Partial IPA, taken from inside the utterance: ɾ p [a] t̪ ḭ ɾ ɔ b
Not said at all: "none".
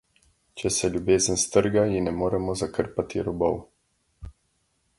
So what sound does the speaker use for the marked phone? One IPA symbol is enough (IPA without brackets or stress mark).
a